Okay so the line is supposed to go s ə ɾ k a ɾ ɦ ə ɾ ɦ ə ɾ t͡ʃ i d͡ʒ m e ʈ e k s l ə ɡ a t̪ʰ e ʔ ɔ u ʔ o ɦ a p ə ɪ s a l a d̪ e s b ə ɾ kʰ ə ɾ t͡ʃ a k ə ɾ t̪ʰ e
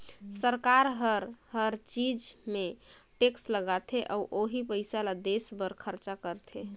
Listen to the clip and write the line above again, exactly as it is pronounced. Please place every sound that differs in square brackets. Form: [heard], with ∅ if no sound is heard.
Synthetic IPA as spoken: s ə ɾ k a ɾ ɦ ə ɾ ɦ ə ɾ t͡ʃ i d͡ʒ m e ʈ e k s l ə ɡ a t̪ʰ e ʔ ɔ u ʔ o ɦ [i] p ə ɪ s a l a d̪ e s b ə ɾ kʰ ə ɾ t͡ʃ a k ə ɾ t̪ʰ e